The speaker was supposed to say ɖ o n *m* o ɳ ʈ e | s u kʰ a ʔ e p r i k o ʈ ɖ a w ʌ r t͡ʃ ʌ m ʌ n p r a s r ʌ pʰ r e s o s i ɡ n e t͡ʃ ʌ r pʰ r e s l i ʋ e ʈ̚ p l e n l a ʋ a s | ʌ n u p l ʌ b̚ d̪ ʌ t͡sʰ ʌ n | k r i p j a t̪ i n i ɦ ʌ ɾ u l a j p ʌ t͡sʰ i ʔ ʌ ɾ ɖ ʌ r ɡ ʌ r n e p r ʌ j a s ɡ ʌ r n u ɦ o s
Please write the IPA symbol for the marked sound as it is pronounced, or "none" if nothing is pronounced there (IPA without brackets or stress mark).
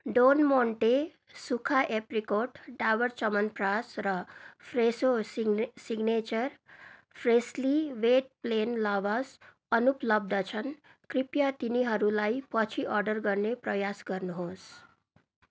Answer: m